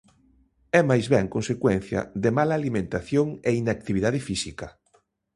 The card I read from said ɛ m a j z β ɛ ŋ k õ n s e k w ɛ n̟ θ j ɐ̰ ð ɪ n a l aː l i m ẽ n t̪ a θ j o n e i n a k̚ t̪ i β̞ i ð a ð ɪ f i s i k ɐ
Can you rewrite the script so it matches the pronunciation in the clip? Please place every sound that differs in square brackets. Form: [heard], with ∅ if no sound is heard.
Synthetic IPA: ɛ m a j z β ɛ ŋ k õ n s e k w ɛ n̟ θ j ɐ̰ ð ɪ [m] a l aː l i m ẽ n t̪ a θ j o [ŋ] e i n a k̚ t̪ i β̞ i ð a ð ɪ f i s i k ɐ